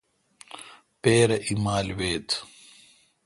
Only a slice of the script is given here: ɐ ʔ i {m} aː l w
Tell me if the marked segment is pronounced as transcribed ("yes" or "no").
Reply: yes